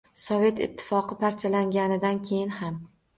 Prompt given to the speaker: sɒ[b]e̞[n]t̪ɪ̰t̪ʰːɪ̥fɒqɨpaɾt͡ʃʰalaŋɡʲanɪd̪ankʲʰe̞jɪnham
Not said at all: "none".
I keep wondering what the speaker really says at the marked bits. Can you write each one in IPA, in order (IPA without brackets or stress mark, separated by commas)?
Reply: v, none